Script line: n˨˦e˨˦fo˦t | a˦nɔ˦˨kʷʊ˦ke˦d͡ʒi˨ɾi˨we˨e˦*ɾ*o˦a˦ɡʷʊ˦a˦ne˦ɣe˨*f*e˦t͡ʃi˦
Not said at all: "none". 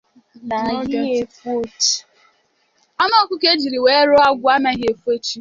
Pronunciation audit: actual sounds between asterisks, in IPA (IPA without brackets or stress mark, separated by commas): ɾ, f